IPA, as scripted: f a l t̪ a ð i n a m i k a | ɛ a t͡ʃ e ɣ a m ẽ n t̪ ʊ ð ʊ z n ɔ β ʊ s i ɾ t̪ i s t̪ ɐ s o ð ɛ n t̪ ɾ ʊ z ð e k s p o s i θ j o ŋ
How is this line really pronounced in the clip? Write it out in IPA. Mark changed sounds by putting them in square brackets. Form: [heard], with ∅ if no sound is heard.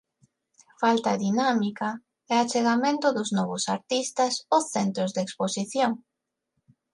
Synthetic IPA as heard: f a l t̪ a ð i n a m i k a | ɛ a t͡ʃ e ɣ a m ẽ n t̪ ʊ ð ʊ z n ɔ β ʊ s [a] ɾ t̪ i s t̪ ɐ s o [θ] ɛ n t̪ ɾ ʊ z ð e k s p o s i θ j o ŋ